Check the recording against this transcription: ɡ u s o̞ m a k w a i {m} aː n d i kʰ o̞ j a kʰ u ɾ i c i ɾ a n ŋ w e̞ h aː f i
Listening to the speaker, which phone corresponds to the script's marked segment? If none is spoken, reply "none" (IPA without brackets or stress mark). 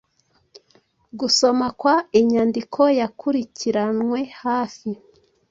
ɲ